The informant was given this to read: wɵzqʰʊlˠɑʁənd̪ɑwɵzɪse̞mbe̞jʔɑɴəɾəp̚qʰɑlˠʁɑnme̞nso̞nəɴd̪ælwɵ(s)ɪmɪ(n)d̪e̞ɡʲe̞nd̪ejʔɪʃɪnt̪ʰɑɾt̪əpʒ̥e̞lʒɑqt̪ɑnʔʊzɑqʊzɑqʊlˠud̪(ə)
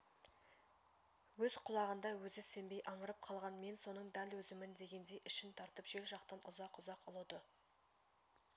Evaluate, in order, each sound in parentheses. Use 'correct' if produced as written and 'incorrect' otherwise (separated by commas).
incorrect, correct, correct